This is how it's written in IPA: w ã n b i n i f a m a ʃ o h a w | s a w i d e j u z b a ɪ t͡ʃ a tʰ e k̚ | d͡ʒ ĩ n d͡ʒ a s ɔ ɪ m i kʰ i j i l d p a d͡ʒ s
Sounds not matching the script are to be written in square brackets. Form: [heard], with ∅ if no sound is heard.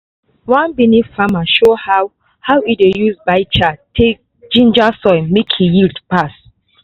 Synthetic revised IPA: w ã n b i n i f a m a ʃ o h a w | [h] a w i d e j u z b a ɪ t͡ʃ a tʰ e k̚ | d͡ʒ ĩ n d͡ʒ a s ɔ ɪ m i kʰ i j i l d p a [∅] s